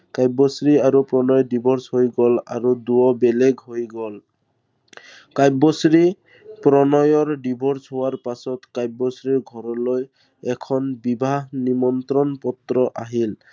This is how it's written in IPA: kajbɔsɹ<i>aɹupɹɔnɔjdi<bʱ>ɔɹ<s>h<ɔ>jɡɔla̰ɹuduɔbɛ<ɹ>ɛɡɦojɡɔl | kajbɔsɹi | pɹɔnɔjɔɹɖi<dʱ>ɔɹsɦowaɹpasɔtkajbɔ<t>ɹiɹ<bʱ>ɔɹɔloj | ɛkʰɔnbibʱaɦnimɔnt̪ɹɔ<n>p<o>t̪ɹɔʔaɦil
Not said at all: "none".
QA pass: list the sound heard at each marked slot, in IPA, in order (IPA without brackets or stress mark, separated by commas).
i, bʱ, s, o, l, bʱ, s, ɡʱ, n, ɔ